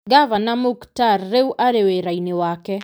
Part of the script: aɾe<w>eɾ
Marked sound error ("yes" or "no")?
no